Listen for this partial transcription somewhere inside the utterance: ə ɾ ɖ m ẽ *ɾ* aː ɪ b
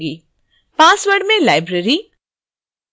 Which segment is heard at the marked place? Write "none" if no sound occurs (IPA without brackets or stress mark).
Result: l